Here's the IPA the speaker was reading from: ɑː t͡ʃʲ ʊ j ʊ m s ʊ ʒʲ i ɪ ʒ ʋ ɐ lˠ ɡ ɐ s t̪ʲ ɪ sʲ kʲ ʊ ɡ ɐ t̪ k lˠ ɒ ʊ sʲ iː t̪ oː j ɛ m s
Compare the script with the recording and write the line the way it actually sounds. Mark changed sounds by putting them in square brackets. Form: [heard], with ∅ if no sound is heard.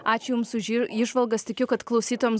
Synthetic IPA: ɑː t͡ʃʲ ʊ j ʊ m s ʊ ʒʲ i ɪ ʒ ʋ ɐ lˠ ɡ ɐ s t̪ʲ ɪ [∅] kʲ ʊ [k] ɐ t̪ k lˠ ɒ ʊ sʲ iː t̪ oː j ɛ m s